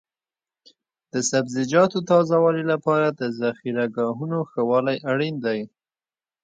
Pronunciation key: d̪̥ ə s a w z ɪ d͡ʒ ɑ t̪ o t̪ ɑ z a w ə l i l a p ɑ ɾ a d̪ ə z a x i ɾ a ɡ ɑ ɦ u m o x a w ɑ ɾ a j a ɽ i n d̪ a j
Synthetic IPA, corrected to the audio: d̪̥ ə s a b z ɪ d͡ʒ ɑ t̪ o t̪ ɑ z a w ɑ l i l a p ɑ ɾ a d̪ ə z a x i ɾ a ɡ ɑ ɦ u n o x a w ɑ l a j a ɽ i n d̪ a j